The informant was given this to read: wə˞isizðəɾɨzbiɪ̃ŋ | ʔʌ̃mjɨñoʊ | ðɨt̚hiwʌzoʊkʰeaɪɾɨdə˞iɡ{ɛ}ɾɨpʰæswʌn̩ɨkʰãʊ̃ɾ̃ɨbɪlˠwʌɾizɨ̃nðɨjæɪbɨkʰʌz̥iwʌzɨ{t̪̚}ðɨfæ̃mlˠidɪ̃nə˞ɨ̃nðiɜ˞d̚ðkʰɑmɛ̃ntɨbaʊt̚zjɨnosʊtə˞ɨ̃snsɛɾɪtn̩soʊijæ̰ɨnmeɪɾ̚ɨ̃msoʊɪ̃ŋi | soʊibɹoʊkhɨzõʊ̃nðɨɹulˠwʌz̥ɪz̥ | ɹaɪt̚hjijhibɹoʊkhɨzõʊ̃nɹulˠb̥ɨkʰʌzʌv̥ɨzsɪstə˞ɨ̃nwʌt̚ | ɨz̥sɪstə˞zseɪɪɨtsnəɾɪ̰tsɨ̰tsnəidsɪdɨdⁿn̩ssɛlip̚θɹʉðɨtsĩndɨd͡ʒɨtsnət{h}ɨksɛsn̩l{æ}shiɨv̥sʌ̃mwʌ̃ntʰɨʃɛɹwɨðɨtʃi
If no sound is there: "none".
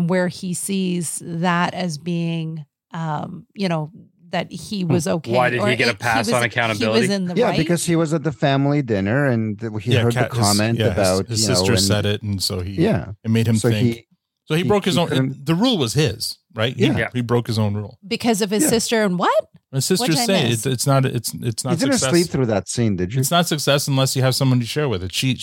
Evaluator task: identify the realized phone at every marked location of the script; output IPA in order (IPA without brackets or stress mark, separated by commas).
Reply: ɛ, t̪̚, s, ɛ